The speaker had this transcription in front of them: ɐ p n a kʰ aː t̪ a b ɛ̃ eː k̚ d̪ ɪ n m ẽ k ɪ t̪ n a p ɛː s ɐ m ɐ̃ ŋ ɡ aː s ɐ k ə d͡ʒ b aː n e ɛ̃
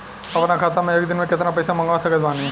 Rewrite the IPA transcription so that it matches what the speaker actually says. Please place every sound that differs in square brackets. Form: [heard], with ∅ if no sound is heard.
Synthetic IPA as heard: ɐ p n a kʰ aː t̪ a [m] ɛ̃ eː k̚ d̪ ɪ n m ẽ k ɪ t̪ n a p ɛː s [a] m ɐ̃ ŋ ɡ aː s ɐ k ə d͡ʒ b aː n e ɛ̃